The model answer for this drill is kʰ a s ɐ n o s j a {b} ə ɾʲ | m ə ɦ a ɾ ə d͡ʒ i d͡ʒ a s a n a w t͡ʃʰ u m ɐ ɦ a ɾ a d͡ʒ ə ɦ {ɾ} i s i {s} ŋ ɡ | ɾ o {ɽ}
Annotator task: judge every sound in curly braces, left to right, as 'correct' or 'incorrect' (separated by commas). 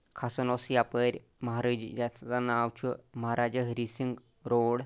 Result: incorrect, correct, incorrect, correct